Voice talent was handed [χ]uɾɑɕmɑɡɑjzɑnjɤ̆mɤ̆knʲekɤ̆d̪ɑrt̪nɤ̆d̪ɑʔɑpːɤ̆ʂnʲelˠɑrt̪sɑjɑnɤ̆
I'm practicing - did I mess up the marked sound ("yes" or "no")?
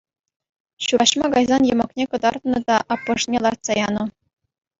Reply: yes